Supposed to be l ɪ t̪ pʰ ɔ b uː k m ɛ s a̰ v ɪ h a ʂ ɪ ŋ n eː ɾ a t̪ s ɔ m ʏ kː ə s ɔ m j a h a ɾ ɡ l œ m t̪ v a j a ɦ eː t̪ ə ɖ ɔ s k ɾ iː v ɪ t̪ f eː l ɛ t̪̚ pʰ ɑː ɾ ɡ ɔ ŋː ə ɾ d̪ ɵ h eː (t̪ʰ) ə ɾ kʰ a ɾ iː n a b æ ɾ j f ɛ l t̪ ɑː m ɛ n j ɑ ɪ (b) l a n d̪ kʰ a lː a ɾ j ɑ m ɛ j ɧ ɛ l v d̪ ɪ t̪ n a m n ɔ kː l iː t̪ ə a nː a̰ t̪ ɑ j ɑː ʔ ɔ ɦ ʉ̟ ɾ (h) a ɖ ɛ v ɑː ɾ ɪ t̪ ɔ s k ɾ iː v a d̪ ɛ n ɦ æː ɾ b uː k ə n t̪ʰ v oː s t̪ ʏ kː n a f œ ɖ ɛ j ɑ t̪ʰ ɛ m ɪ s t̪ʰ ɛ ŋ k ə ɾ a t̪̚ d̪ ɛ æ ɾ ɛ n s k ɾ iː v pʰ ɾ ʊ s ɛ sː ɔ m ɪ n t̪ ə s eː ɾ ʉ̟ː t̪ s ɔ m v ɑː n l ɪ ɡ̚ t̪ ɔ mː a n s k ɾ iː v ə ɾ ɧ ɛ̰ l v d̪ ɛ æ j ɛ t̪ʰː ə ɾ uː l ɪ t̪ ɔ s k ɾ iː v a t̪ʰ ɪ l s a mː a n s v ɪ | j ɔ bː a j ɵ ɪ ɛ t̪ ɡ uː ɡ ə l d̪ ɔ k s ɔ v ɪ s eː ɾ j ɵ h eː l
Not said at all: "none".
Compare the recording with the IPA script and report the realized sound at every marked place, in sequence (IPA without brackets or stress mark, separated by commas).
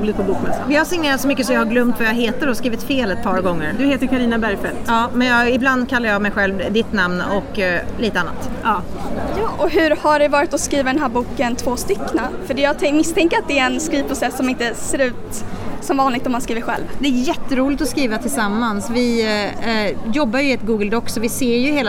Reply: t̪, b, h